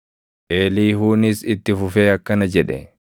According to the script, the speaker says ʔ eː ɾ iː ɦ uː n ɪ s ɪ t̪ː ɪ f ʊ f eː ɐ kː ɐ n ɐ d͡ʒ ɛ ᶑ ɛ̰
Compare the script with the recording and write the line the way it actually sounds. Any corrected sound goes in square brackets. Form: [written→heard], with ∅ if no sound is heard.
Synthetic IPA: ʔ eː [ɾ→l] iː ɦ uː n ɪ s ɪ t̪ː ɪ f ʊ f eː ɐ kː ɐ n ɐ d͡ʒ ɛ ᶑ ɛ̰